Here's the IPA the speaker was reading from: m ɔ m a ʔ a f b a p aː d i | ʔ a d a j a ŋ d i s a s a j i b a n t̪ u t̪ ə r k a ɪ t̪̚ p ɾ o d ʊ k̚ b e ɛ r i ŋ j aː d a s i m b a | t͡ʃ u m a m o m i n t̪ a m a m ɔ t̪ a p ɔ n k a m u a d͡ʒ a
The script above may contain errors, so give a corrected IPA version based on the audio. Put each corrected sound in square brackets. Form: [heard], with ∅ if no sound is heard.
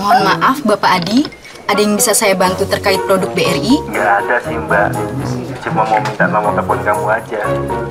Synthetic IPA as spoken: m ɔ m a ʔ a f b a p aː d i | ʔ a d a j a ŋ [b] i s a s a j [a] b a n t̪ u t̪ ə r k a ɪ t̪̚ p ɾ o d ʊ k̚ b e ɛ r i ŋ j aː d a s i m b a | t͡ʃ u m a m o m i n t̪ a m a m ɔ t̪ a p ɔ n k a m u a d͡ʒ a